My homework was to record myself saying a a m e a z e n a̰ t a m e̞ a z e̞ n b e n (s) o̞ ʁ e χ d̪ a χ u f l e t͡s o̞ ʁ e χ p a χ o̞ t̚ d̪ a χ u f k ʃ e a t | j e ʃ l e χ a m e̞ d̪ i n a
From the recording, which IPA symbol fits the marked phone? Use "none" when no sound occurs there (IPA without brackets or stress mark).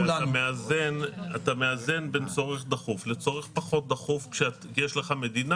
t͡s